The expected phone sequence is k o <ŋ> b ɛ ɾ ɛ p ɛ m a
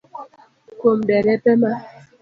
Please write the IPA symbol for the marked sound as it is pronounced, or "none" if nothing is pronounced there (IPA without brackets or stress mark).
m